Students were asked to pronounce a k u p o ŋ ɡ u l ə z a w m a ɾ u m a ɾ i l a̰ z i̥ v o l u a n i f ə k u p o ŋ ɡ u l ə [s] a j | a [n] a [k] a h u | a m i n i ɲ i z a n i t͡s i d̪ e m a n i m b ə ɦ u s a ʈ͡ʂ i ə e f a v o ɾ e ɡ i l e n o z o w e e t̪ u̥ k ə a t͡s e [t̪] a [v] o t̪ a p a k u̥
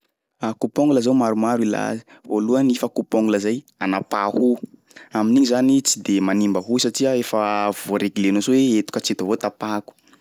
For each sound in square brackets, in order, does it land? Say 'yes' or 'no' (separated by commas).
no, yes, no, yes, yes